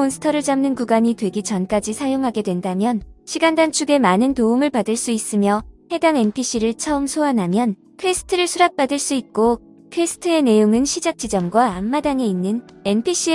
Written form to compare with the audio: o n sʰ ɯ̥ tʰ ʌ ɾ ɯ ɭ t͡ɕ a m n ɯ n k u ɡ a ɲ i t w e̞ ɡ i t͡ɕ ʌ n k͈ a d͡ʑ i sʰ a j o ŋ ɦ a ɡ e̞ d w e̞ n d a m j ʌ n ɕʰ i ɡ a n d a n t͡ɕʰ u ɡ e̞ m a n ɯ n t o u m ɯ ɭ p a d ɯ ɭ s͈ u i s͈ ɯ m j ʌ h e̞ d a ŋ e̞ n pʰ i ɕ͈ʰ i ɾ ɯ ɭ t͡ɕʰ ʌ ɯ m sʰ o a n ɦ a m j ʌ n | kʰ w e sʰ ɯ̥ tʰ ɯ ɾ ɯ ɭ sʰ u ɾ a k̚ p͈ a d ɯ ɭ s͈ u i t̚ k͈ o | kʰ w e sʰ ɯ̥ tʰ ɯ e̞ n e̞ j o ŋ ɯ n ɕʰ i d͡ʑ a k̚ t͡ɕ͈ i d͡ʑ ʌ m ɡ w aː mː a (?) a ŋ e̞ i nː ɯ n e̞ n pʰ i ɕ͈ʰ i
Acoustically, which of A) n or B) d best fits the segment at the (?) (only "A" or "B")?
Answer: B